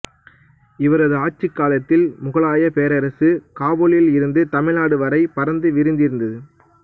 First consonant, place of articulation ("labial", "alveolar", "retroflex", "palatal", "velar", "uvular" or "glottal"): labial